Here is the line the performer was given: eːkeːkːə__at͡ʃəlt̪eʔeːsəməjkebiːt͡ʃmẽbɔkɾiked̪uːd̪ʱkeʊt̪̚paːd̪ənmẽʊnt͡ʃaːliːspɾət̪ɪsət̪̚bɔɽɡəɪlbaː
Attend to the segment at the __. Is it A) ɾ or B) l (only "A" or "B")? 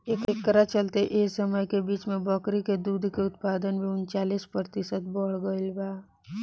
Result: A